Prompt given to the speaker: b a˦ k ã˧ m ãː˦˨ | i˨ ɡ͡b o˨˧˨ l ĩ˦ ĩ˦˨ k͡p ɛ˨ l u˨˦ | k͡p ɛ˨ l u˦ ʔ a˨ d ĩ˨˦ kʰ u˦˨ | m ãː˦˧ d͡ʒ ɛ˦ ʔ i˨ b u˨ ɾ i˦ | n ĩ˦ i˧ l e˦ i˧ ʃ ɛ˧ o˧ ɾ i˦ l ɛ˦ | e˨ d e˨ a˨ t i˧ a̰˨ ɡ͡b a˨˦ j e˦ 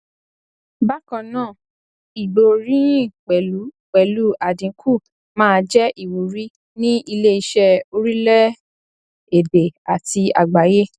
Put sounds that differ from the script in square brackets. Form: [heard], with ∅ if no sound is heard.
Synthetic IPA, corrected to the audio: b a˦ k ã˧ [n] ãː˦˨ | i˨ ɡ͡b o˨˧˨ [ɾ] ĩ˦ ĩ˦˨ k͡p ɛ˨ l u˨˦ | k͡p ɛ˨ l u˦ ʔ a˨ d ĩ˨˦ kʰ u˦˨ | m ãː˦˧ d͡ʒ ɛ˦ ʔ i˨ [w] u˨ ɾ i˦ | n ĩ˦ i˧ l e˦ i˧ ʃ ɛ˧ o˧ ɾ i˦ l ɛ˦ | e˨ d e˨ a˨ t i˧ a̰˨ ɡ͡b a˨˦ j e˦